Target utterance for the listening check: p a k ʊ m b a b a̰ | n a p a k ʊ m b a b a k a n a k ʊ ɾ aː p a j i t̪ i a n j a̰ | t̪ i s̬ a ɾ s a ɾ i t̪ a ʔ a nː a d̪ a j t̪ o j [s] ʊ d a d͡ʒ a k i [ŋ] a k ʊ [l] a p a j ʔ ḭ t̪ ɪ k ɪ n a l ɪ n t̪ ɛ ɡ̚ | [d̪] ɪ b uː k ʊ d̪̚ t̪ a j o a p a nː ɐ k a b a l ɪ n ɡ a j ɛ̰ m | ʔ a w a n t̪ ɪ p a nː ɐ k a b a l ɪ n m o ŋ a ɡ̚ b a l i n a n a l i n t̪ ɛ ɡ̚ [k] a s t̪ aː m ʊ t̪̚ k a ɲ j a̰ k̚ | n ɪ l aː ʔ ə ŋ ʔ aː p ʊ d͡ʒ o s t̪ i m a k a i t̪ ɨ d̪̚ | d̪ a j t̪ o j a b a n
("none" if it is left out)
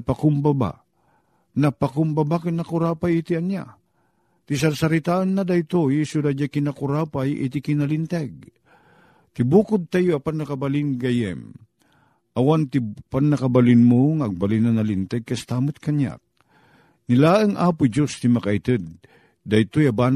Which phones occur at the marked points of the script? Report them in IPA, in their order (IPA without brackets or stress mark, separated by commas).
s, n, ɾ, t̪, k